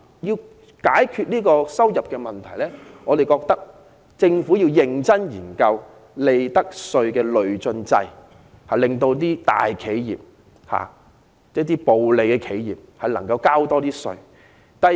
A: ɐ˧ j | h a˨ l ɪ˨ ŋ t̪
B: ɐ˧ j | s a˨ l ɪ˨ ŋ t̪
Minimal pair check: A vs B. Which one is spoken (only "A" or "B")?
A